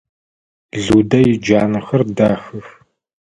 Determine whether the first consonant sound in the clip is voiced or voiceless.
voiced